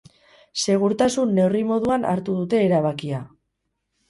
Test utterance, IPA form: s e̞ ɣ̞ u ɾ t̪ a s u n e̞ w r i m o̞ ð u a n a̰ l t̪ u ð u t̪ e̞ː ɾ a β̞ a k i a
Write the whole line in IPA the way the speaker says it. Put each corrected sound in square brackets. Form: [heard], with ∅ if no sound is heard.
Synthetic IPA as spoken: s e̞ ɣ̞ u ɾ t̪ a s u [nː] e̞ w r i m o̞ ð u a n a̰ [ɾ] t̪ u ð u t̪ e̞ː ɾ a β̞ a k i a